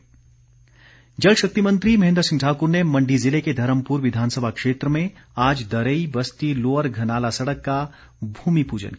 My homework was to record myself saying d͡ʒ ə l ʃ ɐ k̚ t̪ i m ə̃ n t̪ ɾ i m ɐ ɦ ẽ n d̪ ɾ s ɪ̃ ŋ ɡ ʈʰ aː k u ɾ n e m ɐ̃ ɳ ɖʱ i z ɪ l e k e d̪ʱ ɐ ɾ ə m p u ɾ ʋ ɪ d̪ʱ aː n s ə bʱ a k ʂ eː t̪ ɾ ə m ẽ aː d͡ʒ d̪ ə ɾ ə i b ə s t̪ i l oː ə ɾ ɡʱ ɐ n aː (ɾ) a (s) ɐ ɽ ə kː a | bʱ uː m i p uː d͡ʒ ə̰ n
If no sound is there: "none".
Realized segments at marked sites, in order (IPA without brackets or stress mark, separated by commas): l, s